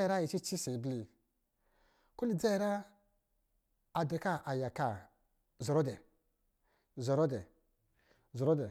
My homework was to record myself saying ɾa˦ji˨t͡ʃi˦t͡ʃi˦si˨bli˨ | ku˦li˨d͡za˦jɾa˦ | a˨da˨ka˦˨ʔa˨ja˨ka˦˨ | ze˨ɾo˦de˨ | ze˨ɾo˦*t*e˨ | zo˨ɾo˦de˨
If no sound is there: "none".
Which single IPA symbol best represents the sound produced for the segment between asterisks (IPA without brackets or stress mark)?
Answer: d